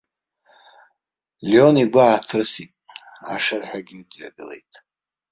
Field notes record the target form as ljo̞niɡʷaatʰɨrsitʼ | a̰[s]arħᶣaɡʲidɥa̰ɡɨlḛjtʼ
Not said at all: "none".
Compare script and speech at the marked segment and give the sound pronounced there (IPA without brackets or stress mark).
ʂ